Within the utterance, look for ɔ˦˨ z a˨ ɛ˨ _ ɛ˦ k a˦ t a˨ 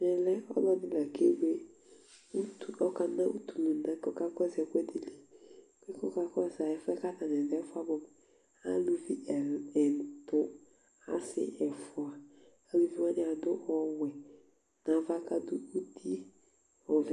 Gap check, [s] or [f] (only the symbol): f